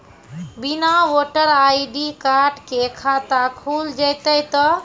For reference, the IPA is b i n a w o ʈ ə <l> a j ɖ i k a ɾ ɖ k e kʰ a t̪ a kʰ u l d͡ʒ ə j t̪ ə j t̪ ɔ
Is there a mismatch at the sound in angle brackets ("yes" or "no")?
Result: yes